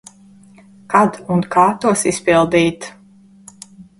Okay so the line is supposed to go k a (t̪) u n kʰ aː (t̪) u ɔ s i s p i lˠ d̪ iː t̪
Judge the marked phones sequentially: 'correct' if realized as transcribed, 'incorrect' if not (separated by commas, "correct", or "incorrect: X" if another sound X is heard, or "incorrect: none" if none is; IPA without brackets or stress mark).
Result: incorrect: d̪, correct